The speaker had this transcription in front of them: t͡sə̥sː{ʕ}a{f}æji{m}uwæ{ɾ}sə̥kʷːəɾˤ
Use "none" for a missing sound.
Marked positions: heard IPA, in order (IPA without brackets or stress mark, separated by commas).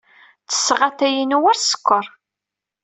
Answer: ʁ, θ, n, ɾ